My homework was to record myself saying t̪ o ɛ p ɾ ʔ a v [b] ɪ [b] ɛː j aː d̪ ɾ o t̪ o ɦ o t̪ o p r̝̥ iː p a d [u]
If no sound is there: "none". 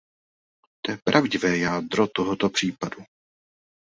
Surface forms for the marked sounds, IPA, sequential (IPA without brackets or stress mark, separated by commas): ɟ, v, u